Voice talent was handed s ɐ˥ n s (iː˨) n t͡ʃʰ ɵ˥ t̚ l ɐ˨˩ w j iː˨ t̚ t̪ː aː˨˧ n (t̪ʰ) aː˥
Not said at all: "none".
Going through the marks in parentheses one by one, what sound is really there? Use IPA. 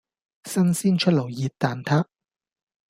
iː˥, t̪ʰ

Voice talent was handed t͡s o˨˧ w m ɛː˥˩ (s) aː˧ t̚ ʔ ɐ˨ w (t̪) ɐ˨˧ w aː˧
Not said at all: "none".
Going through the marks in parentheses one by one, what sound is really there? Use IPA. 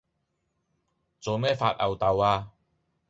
f, t̪

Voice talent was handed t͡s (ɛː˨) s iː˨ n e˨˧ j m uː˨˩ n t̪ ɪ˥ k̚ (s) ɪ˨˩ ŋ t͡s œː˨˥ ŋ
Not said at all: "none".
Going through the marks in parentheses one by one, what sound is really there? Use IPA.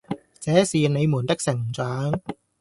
ɛː˨˥, s

